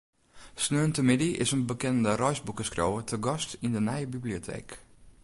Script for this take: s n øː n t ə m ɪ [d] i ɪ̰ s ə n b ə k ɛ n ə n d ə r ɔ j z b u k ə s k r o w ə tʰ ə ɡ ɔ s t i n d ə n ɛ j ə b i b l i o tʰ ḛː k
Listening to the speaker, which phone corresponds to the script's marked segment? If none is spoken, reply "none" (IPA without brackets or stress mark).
d